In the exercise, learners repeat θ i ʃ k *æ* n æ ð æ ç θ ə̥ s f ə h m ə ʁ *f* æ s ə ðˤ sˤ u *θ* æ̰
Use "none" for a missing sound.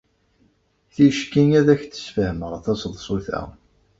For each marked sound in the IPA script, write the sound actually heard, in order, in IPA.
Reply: i, θ, θ

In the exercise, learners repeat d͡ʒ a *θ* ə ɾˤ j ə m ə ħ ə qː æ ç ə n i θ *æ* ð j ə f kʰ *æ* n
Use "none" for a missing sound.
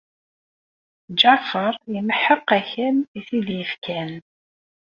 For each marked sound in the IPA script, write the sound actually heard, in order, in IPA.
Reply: f, i, æ

